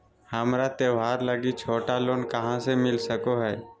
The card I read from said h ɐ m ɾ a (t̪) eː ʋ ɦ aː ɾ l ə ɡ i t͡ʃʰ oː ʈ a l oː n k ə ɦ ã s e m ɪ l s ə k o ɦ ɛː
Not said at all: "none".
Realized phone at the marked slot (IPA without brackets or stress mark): t̪